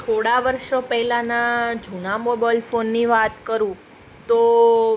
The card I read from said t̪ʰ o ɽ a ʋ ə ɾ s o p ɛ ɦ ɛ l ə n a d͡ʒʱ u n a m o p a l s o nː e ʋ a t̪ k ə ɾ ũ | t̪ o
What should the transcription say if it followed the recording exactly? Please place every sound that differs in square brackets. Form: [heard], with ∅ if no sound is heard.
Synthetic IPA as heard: t̪ʰ o ɽ a ʋ ə ɾ [ʃ] o p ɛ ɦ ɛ l [a] n a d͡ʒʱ u n a m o [b] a l [f] o nː [i] ʋ a t̪ k ə ɾ ũ | t̪ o